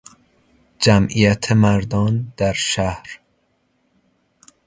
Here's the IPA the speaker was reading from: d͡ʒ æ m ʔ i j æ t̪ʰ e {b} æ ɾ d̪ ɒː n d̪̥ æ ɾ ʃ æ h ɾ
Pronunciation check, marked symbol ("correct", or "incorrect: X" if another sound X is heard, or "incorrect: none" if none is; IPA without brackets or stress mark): incorrect: m